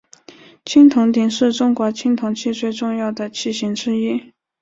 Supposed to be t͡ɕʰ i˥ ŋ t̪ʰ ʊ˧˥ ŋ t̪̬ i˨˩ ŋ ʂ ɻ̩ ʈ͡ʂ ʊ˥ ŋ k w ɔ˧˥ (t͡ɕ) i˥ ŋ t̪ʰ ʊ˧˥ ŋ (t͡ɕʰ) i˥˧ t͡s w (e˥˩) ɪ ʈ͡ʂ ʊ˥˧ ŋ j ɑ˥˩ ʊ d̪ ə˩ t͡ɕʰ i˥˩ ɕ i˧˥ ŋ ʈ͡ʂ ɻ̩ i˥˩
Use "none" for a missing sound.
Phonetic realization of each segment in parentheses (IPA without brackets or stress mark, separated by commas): t͡ɕʰ, t͡ɕʰ, e˥˧